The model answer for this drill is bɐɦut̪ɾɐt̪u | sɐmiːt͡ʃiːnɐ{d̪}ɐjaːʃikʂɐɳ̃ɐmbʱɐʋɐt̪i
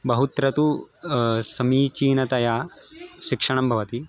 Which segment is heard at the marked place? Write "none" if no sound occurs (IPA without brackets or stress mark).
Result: t̪